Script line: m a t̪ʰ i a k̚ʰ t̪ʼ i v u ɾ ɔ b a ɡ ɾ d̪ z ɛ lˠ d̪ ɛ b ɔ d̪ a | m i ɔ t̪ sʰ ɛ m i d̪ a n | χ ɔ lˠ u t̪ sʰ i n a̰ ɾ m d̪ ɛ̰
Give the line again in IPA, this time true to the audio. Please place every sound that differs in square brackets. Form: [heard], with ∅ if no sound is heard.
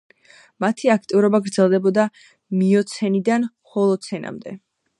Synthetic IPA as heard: m a t̪ʰ i a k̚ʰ t̪ʼ i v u ɾ ɔ b a ɡ ɾ d̪ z ɛ lˠ d̪ ɛ b ɔ d̪ a | m i ɔ t̪ sʰ ɛ [n] i d̪ a n | χ ɔ lˠ [ɔ] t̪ sʰ [ɛ] n a̰ [∅] m d̪ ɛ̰

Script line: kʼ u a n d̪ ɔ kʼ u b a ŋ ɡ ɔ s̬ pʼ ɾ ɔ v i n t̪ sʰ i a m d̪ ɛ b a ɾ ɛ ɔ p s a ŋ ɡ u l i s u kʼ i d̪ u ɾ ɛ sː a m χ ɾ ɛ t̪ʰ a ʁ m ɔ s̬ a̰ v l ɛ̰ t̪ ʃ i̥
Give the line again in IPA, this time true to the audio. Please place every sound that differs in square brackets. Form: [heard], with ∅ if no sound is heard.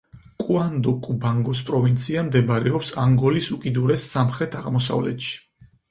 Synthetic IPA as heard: kʼ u a n d̪ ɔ kʼ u b a ŋ ɡ ɔ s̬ pʼ ɾ ɔ v i n t̪ sʰ i a m d̪ ɛ b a ɾ ɛ ɔ p s a ŋ ɡ [ɔ] l i s u kʼ i d̪ u ɾ ɛ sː a m χ ɾ ɛ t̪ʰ a ʁ m ɔ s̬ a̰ v l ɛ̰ t̪ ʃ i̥

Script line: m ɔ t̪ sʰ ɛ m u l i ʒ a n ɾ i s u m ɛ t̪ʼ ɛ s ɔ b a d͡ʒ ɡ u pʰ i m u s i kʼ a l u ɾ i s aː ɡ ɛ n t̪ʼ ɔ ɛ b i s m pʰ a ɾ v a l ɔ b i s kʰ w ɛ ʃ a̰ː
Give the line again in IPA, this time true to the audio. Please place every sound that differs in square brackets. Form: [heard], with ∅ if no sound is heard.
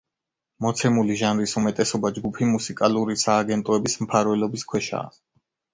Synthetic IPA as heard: m ɔ t̪ sʰ ɛ m u l i ʒ a n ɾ i s u m ɛ t̪ʼ ɛ s ɔ b a d͡ʒ ɡ u pʰ i m u s i kʼ a l u ɾ i s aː ɡ ɛ n t̪ʼ ɔ ɛ b i s m pʰ a ɾ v [ɛ] l ɔ b i s kʰ w ɛ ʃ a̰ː

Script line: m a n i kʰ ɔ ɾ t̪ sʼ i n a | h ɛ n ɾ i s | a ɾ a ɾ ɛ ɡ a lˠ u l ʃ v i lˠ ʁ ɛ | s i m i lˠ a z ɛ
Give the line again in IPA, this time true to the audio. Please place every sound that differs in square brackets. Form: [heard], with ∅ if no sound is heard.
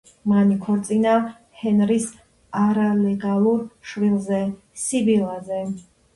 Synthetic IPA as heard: m a n i kʰ ɔ ɾ t̪ sʼ i n a | h ɛ n ɾ i s | a ɾ a [l] ɛ ɡ a lˠ u [ɾ] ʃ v i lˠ [z] ɛ | s i [b] i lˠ a z ɛ

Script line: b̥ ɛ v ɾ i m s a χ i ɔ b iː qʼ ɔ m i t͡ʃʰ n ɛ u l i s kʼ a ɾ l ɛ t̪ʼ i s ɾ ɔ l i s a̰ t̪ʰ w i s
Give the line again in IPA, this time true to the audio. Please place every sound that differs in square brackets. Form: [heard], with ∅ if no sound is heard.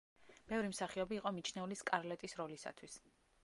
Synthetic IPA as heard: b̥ ɛ v ɾ i m s a χ i ɔ b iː qʼ ɔ m i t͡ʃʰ n ɛ u l i s kʼ a ɾ l ɛ t̪ʼ i s ɾ ɔ l i s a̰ t̪ʰ w i s

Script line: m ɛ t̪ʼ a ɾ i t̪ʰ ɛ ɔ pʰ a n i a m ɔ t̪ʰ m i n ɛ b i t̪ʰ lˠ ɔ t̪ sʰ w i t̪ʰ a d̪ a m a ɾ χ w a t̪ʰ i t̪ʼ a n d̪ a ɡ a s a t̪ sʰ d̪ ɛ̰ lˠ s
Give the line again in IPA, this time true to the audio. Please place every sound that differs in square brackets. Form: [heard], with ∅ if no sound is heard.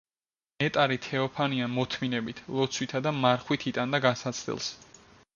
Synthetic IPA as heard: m ɛ t̪ʼ a ɾ i t̪ʰ ɛ ɔ pʰ a n i a m ɔ t̪ʰ m i n ɛ b i t̪ʰ lˠ ɔ t̪ sʰ w i t̪ʰ a d̪ a m a ɾ χ w [i] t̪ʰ i t̪ʼ a n d̪ a ɡ a s a t̪ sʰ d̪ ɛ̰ lˠ s

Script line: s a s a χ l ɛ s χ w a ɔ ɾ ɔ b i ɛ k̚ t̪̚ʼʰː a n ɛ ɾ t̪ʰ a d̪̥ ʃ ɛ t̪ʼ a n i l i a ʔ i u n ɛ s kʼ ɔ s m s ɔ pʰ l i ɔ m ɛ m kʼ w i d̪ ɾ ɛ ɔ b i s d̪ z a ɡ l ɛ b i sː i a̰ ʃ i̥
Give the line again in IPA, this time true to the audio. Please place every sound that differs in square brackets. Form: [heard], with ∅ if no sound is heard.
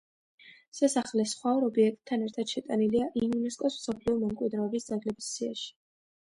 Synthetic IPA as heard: s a s a χ l ɛ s χ w a ɔ ɾ ɔ b i ɛ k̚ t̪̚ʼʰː a n ɛ ɾ t̪ʰ a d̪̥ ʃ ɛ t̪ʼ a n i l i a ʔ i u n ɛ s kʼ ɔ s m s ɔ pʰ l i ɔ m ɛ m kʼ w i d̪ ɾ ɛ ɔ b i s d̪ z a ɡ l ɛ b i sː i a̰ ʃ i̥

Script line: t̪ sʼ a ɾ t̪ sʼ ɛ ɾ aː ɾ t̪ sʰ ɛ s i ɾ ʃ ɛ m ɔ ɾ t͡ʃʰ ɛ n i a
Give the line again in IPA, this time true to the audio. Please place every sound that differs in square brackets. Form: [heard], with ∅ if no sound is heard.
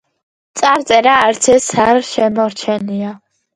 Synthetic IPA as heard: t̪ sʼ a ɾ t̪ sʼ ɛ ɾ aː ɾ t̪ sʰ ɛ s [a] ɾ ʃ ɛ m ɔ ɾ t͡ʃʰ ɛ n i a

